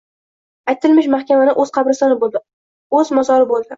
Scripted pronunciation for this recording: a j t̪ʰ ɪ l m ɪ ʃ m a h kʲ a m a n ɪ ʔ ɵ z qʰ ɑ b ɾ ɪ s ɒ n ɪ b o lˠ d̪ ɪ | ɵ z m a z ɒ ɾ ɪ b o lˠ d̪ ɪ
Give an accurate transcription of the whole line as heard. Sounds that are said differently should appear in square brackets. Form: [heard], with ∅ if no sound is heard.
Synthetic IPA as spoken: a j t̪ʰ ɪ l m ɪ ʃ m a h kʲ a m a n ɪ ʔ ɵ z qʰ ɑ b ɾ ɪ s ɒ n ɪ b o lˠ d̪ ɪ | ɵ z m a z ɒ ɾ ɪ b o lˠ d̪ ɪ